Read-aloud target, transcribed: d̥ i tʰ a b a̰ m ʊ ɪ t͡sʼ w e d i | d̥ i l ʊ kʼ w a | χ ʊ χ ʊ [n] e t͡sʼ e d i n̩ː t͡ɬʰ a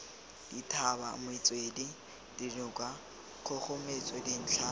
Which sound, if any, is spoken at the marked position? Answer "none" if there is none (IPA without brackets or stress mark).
m